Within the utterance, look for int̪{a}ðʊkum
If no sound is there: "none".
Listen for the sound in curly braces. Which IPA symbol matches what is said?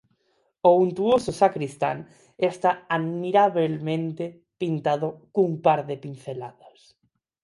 a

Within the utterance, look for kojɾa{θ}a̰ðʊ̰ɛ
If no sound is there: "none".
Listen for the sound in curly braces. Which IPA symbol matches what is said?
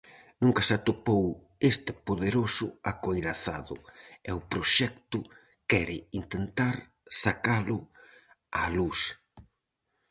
θ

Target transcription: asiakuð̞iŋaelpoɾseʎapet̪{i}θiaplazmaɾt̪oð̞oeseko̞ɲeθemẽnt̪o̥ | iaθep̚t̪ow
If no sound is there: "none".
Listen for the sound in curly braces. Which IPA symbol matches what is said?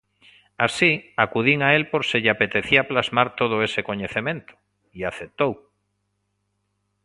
e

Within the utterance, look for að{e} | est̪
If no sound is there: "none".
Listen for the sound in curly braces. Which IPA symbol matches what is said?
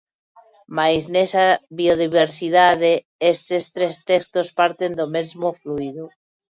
e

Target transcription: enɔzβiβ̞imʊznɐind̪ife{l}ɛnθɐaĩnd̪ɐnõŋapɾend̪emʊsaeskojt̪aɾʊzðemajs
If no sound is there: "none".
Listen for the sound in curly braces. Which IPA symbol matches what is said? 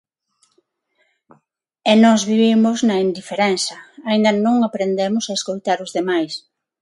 ɾ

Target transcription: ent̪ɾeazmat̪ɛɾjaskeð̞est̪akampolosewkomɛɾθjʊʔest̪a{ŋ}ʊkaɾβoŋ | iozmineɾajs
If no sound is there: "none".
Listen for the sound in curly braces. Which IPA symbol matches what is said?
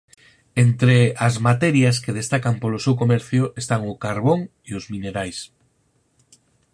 ŋ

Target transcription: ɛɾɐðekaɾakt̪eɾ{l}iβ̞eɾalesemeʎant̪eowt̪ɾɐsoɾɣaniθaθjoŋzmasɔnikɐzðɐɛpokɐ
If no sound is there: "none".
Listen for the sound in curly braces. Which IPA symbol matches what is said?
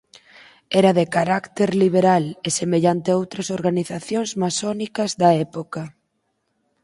l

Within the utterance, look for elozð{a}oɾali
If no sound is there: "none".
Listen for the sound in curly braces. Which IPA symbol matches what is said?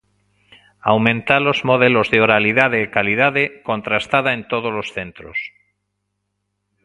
e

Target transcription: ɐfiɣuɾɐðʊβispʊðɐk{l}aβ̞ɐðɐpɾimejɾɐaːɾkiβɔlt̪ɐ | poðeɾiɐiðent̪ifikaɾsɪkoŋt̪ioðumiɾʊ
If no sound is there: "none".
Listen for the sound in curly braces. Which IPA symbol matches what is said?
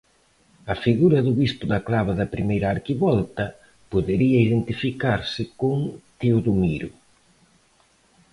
l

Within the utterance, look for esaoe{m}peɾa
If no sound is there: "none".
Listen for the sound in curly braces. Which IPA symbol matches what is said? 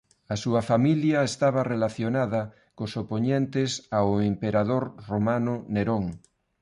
m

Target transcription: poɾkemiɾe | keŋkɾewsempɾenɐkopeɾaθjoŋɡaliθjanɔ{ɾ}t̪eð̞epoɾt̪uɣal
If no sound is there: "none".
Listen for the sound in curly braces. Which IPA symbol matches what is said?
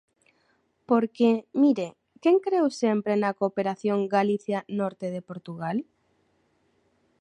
ɾ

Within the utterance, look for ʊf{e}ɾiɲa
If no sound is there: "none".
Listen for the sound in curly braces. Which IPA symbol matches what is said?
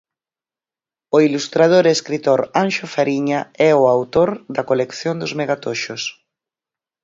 a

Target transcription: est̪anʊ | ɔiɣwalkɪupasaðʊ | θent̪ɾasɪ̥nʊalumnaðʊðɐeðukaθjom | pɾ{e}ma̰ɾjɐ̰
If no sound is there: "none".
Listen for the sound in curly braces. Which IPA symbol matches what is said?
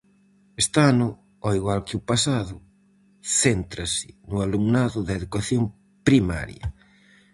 i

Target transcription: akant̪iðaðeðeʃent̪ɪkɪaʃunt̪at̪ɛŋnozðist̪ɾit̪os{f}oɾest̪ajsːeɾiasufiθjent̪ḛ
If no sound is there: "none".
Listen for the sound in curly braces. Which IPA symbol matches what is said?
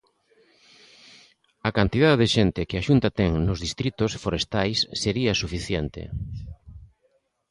f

